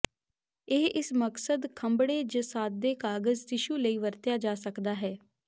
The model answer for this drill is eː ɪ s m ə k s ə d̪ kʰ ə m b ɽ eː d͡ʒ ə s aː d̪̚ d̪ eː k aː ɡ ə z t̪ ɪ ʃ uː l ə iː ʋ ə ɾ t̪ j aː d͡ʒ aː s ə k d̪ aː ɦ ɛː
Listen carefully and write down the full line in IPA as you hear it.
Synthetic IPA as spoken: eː ɪ s m ə k s ə d̪ kʰ ə m b ɽ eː d͡ʒ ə s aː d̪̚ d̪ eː k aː ɡ ə z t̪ ɪ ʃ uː l ə iː ʋ ə ɾ t̪ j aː d͡ʒ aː s ə k d̪ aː ɦ ɛː